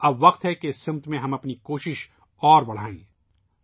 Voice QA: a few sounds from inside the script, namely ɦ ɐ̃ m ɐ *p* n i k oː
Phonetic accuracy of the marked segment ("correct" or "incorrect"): correct